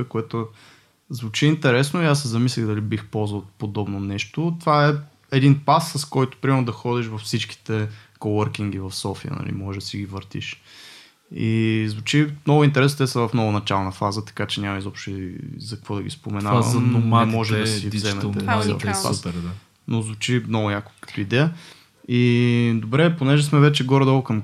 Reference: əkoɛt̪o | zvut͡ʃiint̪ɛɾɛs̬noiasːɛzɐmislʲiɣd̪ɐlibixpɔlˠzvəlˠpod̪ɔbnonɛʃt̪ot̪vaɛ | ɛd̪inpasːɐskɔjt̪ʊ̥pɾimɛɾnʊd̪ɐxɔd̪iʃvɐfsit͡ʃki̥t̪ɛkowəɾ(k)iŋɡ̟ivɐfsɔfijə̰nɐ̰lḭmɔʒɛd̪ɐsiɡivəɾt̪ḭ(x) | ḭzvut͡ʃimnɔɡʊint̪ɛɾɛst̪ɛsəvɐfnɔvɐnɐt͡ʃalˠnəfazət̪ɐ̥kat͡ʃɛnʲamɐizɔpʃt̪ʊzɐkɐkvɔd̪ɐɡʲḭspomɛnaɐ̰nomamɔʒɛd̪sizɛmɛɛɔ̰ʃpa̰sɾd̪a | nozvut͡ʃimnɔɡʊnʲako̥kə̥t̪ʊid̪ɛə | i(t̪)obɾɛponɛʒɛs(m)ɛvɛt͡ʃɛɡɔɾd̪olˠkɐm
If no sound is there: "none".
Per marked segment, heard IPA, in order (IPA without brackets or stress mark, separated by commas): k, ʃ, d̪, m